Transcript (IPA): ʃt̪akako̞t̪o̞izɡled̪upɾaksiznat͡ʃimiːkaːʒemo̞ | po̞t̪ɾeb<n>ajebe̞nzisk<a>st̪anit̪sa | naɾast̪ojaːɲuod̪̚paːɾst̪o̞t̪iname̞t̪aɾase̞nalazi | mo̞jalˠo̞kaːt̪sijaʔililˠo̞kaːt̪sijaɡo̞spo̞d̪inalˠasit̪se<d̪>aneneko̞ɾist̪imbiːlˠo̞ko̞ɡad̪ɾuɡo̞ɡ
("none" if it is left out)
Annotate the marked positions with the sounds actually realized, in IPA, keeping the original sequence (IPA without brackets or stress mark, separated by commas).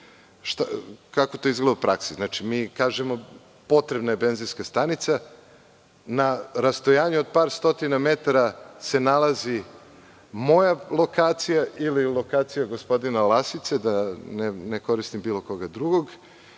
n, a, d̪